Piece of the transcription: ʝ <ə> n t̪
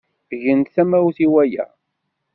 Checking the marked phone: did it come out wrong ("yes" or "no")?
no